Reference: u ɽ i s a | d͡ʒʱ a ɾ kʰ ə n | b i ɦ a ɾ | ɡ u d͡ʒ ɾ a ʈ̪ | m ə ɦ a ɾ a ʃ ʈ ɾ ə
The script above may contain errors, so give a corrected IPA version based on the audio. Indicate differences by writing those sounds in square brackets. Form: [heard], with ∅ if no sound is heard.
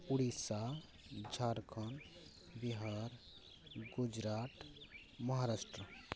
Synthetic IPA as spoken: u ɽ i s a | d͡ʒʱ a ɾ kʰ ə n | b i ɦ a ɾ | ɡ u d͡ʒ ɾ a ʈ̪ | m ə ɦ a ɾ a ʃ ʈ ɾ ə